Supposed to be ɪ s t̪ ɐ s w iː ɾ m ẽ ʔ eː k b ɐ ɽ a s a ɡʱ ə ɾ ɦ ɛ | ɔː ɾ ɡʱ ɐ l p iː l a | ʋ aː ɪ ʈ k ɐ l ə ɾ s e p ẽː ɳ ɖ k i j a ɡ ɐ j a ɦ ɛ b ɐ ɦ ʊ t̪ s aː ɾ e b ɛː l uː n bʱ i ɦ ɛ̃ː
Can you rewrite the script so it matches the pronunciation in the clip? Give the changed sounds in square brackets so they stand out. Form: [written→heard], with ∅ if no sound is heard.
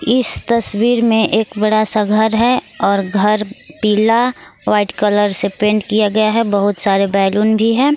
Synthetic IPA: ɪ s t̪ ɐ s w iː ɾ m ẽ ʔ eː k b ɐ ɽ a s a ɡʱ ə ɾ ɦ ɛ | ɔː ɾ ɡʱ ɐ [l→ɾ] p iː l a | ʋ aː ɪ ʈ k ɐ l ə ɾ s e p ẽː ɳ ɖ k i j a ɡ ɐ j a ɦ ɛ b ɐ ɦ ʊ t̪ s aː ɾ e b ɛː l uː n bʱ i ɦ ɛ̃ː